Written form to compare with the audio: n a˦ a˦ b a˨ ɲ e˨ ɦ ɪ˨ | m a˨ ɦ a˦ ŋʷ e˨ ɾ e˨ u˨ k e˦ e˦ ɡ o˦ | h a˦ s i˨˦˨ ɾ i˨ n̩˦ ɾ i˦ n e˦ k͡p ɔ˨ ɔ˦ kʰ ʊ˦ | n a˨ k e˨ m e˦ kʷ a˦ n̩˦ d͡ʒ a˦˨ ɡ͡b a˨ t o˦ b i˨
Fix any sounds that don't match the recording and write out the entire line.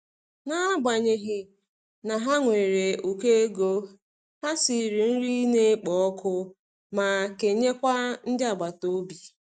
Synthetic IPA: n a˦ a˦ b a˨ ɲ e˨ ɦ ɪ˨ | n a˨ ɦ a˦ ŋʷ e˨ ɾ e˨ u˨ k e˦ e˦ ɡ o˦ | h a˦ s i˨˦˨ ɾ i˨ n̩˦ ɾ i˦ n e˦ k͡p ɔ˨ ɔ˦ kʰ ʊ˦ | m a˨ k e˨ ɲ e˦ kʷ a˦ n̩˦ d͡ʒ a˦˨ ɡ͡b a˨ t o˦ b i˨